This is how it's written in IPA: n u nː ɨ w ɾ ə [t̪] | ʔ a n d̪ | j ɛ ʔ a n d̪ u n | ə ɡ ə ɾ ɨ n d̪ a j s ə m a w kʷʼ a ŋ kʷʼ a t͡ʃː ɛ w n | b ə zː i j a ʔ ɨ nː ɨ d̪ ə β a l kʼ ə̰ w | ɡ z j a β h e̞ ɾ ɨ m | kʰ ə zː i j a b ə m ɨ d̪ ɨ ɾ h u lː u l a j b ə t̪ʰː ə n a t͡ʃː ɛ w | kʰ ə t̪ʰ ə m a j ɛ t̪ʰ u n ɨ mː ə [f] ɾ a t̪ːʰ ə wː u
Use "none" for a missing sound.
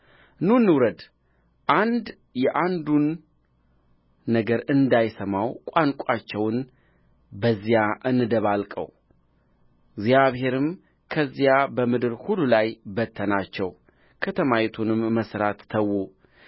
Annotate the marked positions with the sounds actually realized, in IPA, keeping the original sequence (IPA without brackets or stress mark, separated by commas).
d̪, s